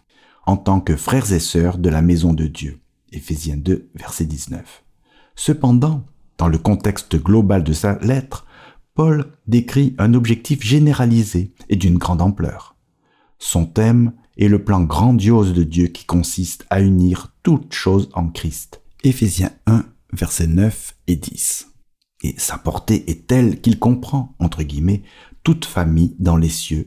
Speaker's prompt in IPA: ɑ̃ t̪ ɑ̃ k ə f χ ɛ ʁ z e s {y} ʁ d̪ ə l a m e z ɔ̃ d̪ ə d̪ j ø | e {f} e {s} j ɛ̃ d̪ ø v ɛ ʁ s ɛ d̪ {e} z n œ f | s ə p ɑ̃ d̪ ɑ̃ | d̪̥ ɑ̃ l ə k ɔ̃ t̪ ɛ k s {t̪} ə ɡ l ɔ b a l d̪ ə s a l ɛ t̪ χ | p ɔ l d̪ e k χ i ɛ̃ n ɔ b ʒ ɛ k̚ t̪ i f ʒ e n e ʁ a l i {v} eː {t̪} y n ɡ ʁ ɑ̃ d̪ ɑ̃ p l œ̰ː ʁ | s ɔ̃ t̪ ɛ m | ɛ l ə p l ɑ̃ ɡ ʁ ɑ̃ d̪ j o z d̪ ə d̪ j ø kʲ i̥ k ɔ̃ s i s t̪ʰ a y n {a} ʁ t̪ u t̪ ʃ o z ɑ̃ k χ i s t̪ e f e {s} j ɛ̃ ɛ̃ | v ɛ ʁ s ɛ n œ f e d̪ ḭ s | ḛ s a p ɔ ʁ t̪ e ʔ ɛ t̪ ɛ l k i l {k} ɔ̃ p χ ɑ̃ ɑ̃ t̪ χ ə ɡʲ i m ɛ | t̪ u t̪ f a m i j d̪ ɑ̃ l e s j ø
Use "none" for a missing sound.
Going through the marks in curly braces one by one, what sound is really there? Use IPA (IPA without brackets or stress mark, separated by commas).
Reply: œ, f, z, i, t̪, z, d̪, i, z, k